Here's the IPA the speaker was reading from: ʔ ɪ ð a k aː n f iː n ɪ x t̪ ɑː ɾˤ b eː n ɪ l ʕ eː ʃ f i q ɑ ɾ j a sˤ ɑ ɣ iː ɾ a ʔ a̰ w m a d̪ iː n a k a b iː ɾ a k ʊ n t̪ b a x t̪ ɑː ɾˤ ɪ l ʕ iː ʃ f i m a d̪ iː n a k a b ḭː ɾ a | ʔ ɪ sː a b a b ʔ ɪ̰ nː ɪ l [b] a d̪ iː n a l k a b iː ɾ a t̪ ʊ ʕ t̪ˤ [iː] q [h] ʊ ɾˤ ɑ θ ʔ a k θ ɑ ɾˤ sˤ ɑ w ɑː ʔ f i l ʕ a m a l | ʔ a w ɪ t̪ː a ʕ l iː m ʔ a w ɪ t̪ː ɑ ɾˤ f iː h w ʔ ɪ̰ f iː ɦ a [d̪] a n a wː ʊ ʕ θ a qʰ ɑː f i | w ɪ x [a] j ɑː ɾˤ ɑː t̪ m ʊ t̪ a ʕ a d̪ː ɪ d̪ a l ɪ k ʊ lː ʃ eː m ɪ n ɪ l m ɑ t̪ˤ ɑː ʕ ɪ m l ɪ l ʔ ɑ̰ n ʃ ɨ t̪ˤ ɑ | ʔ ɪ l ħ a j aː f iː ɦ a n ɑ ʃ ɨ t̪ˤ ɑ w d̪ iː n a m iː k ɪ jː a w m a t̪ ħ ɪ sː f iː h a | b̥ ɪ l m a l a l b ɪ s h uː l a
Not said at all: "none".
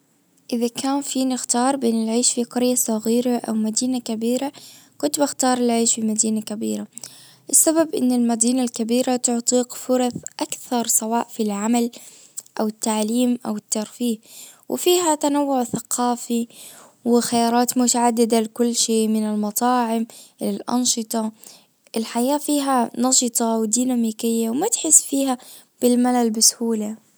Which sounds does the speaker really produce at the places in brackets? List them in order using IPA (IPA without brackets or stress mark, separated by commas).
m, iː, f, t̪, a